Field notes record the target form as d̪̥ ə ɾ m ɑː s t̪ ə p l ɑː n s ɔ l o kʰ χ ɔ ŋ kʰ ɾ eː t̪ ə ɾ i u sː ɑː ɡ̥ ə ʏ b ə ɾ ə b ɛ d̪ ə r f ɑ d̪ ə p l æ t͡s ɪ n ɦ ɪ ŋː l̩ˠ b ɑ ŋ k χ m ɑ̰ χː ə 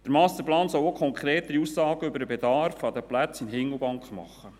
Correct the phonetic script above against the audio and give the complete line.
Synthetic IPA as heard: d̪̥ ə ɾ m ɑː s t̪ ə p l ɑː n s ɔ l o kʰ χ ɔ ŋ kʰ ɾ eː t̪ ə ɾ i u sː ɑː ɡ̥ ə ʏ b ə ɾ ə b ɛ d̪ ɑ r f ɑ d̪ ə p l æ t͡s ɪ n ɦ ɪ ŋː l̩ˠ b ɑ ŋ k χ m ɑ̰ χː ə